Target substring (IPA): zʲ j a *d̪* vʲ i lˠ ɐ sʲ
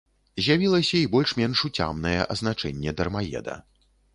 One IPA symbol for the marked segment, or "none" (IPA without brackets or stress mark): none